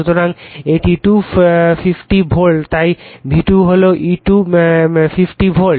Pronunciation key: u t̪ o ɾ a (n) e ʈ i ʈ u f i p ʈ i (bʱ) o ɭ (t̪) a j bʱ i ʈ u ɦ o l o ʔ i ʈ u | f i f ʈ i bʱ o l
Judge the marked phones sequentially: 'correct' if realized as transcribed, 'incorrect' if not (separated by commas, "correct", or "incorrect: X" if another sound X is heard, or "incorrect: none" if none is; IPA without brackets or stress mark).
incorrect: ŋ, correct, correct